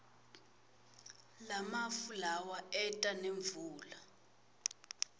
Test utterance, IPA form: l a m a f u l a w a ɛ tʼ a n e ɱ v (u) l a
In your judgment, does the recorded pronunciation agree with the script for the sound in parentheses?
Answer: no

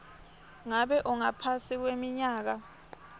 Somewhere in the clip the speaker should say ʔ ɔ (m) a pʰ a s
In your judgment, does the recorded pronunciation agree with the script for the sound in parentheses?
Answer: no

